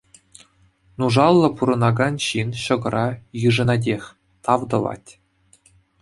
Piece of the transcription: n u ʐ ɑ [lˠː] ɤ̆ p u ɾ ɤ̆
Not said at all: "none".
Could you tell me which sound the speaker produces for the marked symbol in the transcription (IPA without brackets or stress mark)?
lˠː